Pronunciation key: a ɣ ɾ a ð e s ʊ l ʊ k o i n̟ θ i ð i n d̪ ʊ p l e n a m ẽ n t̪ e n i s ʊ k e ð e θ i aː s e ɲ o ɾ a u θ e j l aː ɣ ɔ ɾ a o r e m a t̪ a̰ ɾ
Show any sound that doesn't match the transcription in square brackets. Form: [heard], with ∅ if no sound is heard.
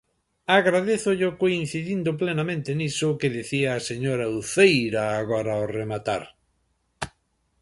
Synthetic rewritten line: a ɣ ɾ a ð e [θ] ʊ [ʎ] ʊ k o i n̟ θ i ð i n d̪ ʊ p l e n a m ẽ n t̪ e n i s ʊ k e ð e θ i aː s e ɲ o ɾ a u θ e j [ɾ] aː ɣ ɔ ɾ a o r e m a t̪ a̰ ɾ

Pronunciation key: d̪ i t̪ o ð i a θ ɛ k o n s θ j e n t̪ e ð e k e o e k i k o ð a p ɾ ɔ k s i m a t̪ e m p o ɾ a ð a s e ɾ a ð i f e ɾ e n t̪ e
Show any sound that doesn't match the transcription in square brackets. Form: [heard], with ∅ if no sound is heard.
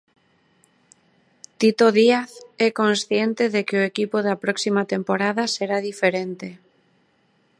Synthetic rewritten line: [t̪] i t̪ o ð i a θ ɛ k o n s θ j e n t̪ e ð e k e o e k i [p] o ð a p ɾ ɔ k s i m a t̪ e m p o ɾ a ð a s e ɾ a ð i f e ɾ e n t̪ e

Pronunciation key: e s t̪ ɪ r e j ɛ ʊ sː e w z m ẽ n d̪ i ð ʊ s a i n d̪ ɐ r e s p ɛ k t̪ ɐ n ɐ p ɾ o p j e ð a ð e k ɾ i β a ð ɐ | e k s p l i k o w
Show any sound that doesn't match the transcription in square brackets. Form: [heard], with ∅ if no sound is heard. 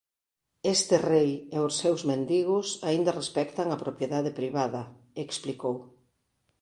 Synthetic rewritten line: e s t̪ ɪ r e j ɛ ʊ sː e w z m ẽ n d̪ i [ɣ] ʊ s a i n d̪ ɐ r e s p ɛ k t̪ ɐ [ŋ] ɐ p ɾ o p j e ð a ð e [p] ɾ i β a ð ɐ | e k s p l i k o w

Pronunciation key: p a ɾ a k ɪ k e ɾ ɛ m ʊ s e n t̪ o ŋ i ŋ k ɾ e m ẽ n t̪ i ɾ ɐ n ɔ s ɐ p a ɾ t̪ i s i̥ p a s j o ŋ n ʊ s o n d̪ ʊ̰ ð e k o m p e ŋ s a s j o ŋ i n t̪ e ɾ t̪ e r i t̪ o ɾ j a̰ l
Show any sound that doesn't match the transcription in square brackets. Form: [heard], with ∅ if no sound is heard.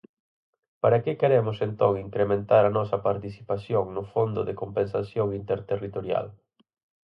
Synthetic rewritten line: p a ɾ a k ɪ k e ɾ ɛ m ʊ s e n t̪ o ŋ i ŋ k ɾ e m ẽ n t̪ [a] ɾ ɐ n ɔ s ɐ p a ɾ t̪ i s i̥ p a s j o ŋ n ʊ [f] o n d̪ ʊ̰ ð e k o m p e [n] s a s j o ŋ i n t̪ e ɾ t̪ e r i t̪ o ɾ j a̰ l

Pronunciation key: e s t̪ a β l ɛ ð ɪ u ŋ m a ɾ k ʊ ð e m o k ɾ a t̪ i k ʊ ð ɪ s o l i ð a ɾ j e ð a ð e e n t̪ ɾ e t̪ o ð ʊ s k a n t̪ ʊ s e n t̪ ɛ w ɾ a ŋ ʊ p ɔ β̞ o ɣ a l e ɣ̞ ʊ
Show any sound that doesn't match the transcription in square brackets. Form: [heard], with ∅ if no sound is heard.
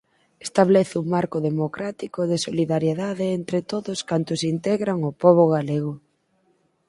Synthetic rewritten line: e s t̪ a β l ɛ [θ] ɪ u ŋ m a ɾ k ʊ ð e m o k ɾ a t̪ i k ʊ ð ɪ s o l i ð a ɾ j e ð a ð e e n t̪ ɾ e t̪ o ð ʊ s k a n t̪ ʊ s [i] n t̪ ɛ [ɣ] ɾ a ŋ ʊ p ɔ β̞ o ɣ a l e ɣ̞ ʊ

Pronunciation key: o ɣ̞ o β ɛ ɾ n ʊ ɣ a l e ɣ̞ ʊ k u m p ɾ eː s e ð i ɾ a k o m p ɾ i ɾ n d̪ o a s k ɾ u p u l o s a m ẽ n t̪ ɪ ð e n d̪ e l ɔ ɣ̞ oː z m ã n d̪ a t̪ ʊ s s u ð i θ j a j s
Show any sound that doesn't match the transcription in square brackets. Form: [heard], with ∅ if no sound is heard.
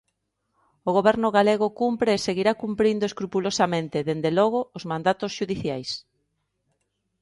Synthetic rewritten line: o ɣ̞ o β ɛ ɾ n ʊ ɣ a l e ɣ̞ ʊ k u m p ɾ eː s e [ɣ] i ɾ a k [u] m p ɾ i [∅] n d̪ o [e] s k ɾ u p u l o s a m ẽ n t̪ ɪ ð e n d̪ e l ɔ ɣ̞ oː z m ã n d̪ a t̪ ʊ s [ʃ] u ð i θ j a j s

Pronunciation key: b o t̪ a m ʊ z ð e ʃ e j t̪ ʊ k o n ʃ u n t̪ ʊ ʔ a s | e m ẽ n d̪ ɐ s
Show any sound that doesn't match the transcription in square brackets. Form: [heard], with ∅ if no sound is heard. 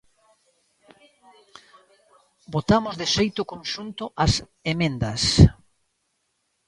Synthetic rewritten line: b o t̪ a m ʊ z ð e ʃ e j t̪ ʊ k o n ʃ u n t̪ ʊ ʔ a s | e m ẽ n d̪ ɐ s

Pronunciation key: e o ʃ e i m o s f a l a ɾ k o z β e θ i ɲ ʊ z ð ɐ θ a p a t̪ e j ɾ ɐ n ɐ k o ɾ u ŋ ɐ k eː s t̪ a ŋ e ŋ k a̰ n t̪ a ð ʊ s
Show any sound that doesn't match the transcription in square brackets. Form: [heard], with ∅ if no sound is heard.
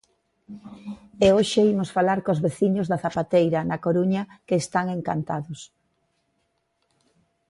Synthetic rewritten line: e o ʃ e i m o s f a l a ɾ k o z β e θ i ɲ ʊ z ð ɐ θ a p a t̪ e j ɾ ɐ n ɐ k o ɾ u [ɲ] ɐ k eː s t̪ a ŋ e ŋ k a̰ n t̪ a ð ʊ s

